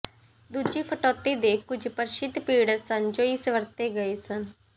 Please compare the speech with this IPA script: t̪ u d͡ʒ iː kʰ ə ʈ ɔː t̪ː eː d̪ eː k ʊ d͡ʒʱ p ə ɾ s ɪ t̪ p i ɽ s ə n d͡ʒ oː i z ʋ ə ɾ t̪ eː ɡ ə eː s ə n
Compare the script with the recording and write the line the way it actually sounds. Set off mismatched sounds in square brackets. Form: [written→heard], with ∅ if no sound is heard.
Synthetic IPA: [t̪→d̪] u d͡ʒ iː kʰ ə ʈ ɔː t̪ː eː d̪ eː k ʊ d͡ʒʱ p ə ɾ [s→ʃ] ɪ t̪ p [i→iː] ɽ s ə n d͡ʒ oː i [z→s] ʋ ə ɾ t̪ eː ɡ ə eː s ə n